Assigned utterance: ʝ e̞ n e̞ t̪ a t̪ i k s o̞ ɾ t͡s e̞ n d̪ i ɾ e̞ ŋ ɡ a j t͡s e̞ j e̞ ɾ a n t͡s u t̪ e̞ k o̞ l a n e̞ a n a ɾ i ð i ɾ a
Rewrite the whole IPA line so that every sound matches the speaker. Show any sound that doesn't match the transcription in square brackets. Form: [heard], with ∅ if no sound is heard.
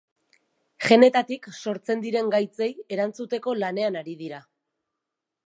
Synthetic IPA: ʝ e̞ n e̞ t̪ a t̪ i k s o̞ ɾ t͡s e̞ n d̪ i ɾ e̞ ŋ ɡ a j t͡s e̞ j e̞ ɾ a n t͡s u t̪ e̞ k o̞ l a n e̞ a n a ɾ i ð i ɾ a